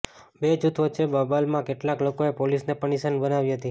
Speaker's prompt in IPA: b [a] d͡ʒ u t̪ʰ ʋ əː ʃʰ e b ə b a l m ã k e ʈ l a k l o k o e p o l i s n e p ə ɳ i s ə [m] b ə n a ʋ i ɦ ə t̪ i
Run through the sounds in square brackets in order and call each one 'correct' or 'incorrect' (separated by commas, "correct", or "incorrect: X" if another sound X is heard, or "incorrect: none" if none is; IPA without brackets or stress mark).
incorrect: e, incorrect: n